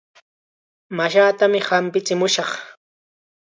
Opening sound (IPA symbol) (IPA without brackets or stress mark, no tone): m